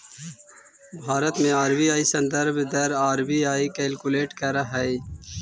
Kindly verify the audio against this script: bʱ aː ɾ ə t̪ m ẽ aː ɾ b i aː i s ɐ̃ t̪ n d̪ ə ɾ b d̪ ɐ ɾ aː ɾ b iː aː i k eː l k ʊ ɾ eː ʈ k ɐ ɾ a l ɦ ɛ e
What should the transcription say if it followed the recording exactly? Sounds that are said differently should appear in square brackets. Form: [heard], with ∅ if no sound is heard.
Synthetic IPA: bʱ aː ɾ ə t̪ m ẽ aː ɾ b i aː i s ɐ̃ [∅] n d̪ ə ɾ b d̪ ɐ ɾ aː ɾ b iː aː i k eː l k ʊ [l] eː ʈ k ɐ ɾ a [∅] ɦ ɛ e